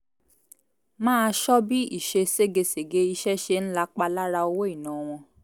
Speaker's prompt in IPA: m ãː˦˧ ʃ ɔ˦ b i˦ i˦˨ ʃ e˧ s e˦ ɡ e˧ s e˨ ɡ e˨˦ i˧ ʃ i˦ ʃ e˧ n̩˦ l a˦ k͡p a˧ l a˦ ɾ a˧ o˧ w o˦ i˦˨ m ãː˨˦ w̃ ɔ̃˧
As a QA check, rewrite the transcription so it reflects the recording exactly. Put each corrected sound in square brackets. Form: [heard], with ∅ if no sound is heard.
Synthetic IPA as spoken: m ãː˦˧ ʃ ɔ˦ b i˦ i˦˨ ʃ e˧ s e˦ ɡ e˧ s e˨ ɡ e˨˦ i˧ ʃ [ɛ˦] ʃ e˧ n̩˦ l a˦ k͡p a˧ l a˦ ɾ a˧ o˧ w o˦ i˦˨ [n] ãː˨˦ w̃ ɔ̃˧